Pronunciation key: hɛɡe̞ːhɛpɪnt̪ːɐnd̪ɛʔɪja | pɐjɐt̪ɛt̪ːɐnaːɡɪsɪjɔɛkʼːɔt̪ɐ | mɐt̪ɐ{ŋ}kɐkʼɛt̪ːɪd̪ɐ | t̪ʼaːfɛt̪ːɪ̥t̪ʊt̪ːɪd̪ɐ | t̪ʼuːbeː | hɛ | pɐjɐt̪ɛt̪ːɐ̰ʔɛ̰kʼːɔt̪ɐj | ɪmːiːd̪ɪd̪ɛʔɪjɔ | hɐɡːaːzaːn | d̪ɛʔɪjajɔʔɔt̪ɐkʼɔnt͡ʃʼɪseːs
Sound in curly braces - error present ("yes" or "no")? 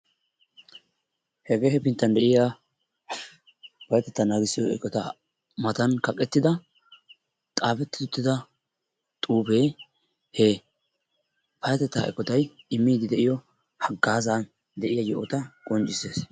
yes